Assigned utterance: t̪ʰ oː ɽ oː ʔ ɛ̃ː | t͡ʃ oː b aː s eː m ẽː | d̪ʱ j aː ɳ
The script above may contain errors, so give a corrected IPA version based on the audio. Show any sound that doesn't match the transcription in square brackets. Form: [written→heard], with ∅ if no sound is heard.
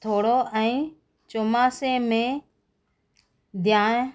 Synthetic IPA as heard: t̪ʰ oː ɽ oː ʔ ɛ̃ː | t͡ʃ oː [b→m] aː s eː m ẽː | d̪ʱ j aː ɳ